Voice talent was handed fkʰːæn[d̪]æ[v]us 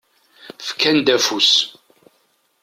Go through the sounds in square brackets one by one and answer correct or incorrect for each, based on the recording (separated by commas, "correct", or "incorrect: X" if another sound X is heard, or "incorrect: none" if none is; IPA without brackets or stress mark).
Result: correct, incorrect: f